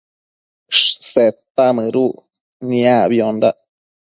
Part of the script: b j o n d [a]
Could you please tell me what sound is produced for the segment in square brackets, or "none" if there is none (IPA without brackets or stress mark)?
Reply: a